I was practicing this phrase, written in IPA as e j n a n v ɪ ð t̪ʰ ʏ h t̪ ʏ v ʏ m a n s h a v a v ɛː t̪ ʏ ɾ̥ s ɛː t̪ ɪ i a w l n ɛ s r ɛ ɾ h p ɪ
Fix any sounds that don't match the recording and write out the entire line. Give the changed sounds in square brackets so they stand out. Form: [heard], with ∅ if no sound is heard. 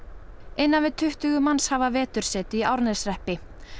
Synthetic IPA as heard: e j [nː] a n v ɪ ð t̪ʰ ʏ h t̪ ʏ [ɣ] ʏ m a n s h a v a v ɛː t̪ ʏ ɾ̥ s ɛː t̪ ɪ i a w [ɾ] n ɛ s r ɛ [∅] h p ɪ